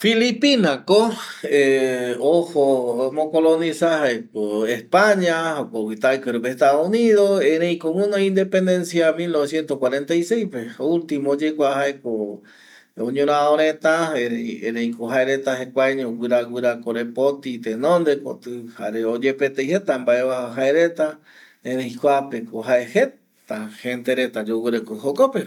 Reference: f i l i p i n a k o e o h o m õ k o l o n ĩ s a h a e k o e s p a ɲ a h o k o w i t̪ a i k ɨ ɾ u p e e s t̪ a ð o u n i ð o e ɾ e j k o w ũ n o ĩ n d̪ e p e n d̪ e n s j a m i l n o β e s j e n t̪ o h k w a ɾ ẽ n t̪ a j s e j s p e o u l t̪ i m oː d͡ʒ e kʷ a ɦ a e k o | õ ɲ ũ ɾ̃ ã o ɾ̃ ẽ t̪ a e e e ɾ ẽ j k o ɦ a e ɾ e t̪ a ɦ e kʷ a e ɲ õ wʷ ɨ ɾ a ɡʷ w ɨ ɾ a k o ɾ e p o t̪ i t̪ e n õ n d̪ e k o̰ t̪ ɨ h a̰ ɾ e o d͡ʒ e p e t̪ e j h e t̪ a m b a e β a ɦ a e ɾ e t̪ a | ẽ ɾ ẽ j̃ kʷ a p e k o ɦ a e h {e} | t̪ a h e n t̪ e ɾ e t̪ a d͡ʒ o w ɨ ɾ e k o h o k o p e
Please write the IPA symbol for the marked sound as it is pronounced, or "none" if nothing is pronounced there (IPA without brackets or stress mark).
e